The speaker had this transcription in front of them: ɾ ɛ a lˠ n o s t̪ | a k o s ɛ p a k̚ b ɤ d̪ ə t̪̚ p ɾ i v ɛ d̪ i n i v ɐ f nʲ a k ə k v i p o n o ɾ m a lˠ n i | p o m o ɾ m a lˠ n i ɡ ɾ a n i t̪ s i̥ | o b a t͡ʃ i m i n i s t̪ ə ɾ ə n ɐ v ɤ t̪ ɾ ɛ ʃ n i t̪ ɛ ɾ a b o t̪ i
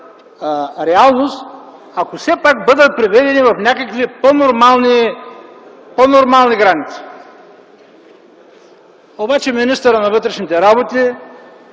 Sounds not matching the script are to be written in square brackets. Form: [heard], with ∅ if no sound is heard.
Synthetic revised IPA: ɾ ɛ a lˠ n o s t̪ | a k o s ɛ p a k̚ b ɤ d̪ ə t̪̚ p ɾ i v ɛ d̪ [ɛ] n i v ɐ f nʲ a k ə k v i p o n o ɾ m a lˠ n i | p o [n] o ɾ m a lˠ n i ɡ ɾ a n i t̪ s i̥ | o b a t͡ʃ [ɛ] m i n i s t̪ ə ɾ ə n ɐ v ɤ t̪ ɾ ɛ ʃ n i t̪ ɛ ɾ a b o t̪ i